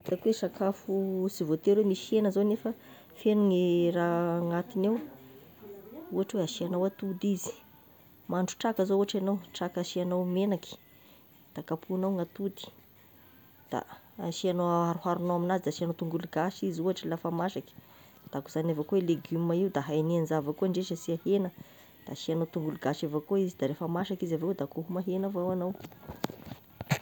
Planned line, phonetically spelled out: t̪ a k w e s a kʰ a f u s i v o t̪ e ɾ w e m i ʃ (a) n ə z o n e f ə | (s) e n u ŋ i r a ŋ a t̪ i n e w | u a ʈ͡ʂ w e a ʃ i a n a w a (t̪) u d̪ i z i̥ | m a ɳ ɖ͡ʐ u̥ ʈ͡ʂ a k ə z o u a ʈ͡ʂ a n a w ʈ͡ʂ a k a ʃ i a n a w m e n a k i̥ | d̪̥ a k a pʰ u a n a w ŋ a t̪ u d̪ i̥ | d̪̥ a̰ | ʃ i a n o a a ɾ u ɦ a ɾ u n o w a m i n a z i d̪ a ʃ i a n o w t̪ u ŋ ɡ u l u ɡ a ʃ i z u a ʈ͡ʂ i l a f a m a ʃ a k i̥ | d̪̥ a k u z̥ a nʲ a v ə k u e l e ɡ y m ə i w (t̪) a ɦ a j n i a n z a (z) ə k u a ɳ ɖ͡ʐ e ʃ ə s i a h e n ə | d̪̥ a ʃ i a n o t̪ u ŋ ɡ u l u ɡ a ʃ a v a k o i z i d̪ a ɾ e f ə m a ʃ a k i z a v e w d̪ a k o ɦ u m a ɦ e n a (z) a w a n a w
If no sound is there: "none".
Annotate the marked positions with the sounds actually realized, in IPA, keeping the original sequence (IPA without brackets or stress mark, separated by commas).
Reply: e, f, t̪, d̪, v, v